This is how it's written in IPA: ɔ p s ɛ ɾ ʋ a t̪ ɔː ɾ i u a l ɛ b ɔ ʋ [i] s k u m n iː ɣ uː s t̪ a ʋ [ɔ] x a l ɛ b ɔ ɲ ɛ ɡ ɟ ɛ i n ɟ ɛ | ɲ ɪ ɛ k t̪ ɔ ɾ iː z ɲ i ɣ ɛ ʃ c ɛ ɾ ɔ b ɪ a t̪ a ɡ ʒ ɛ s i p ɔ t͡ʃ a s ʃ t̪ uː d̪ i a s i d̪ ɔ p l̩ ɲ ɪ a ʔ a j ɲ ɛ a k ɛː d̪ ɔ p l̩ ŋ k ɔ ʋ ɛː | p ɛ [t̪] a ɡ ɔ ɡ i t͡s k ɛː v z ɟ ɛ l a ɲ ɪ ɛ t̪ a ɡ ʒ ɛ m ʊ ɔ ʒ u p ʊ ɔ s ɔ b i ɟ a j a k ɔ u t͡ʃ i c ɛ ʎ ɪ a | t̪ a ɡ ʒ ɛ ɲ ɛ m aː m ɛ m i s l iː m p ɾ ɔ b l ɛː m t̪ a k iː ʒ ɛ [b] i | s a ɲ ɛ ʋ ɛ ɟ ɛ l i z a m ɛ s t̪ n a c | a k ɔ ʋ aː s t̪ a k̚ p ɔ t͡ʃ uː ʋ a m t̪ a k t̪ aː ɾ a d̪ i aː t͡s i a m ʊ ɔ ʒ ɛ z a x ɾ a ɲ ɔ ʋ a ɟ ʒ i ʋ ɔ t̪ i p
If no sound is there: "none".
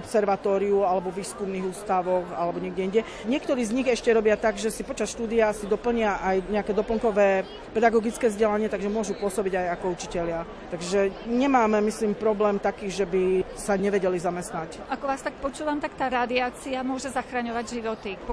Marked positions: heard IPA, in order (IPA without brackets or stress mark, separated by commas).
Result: iː, ɔ, d̪, b